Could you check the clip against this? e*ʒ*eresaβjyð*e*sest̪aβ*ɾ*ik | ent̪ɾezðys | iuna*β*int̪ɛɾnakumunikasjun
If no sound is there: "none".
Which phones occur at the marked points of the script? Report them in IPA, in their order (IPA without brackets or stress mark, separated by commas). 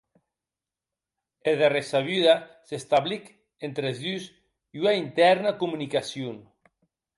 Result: ð, a, l, none